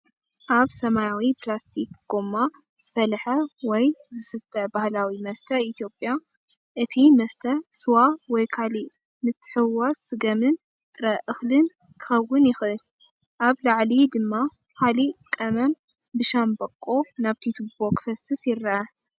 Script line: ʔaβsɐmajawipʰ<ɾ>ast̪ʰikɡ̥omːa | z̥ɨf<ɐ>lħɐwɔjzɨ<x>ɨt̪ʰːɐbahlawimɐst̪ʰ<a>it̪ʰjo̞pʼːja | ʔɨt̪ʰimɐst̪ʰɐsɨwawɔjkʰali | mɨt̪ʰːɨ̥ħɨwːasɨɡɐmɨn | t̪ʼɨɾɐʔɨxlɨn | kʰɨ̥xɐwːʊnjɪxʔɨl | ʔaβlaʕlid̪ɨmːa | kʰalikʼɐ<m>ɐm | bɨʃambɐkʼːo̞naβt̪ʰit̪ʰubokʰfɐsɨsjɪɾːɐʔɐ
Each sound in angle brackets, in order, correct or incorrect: incorrect: l, correct, incorrect: s, incorrect: ɐ, correct

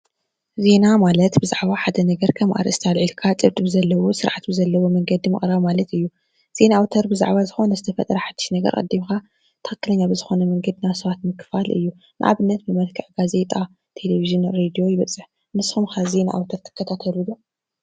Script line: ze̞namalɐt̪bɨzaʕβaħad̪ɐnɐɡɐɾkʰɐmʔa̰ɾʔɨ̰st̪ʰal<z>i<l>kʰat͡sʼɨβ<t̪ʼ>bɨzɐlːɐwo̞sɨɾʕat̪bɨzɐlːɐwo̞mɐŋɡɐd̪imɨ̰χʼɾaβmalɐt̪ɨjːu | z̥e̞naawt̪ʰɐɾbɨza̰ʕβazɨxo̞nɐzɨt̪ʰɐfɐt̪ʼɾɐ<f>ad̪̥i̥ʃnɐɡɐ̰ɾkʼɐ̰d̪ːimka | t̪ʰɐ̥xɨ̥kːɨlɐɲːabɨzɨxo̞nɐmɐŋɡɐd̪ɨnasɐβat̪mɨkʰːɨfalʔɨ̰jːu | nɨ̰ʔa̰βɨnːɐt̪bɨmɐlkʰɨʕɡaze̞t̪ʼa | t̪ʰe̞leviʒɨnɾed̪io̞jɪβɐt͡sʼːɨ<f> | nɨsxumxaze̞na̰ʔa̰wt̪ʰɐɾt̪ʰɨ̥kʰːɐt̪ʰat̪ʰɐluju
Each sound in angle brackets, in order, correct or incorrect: incorrect: ʕ, correct, correct, incorrect: ħ, incorrect: ħ

